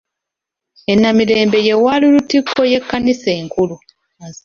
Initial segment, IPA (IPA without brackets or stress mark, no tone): e̞